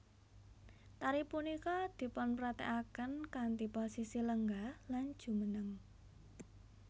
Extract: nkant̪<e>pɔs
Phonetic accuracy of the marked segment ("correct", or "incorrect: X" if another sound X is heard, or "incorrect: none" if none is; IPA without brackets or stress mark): incorrect: i